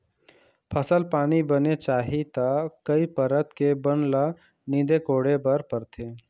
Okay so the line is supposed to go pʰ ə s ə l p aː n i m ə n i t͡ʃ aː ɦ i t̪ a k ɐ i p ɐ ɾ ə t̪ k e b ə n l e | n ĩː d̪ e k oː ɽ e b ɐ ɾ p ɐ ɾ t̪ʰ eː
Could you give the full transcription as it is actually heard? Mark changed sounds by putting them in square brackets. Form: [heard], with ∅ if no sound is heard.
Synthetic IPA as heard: pʰ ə s ə l p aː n i [b] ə n [e] t͡ʃ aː ɦ i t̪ a k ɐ i p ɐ ɾ ə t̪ k e b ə n l [a] | n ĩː d̪ e k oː ɽ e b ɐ ɾ p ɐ ɾ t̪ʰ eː